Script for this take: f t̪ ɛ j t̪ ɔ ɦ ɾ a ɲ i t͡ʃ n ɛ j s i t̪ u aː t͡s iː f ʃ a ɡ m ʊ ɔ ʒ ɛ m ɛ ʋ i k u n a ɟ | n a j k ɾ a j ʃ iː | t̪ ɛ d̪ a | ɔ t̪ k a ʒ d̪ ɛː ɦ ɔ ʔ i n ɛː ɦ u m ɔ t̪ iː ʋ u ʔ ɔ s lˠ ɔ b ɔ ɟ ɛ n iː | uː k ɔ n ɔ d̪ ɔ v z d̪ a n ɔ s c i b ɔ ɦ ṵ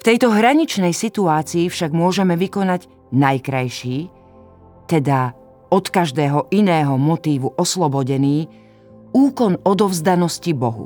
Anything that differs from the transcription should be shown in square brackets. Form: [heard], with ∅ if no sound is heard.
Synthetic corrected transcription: f t̪ ɛ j t̪ ɔ ɦ ɾ a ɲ i t͡ʃ n ɛ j s i t̪ u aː t͡s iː f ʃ a ɡ m ʊ ɔ ʒ ɛ m ɛ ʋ i k [ɔ] n a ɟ | n a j k ɾ a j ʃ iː | t̪ ɛ d̪ a | ɔ t̪ k a ʒ d̪ ɛː ɦ ɔ ʔ i n ɛː ɦ [ɔ] m ɔ t̪ iː ʋ u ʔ ɔ s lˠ ɔ b ɔ ɟ ɛ n iː | uː k ɔ n ɔ d̪ ɔ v z d̪ a n ɔ s c i b ɔ ɦ ṵ